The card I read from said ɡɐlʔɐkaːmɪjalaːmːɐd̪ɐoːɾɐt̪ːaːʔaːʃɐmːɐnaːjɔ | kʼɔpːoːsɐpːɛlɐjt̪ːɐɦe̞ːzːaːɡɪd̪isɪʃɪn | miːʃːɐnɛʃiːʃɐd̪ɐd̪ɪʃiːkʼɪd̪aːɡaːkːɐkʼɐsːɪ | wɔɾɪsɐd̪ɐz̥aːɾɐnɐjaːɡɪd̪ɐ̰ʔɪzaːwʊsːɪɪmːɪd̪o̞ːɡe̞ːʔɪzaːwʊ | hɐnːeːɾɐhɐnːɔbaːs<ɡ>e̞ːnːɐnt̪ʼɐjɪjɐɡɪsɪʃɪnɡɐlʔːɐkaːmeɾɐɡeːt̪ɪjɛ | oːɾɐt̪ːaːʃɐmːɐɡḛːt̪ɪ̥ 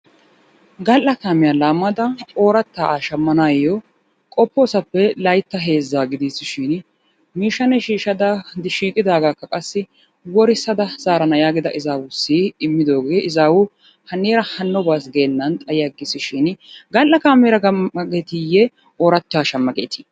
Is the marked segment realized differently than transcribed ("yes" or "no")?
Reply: no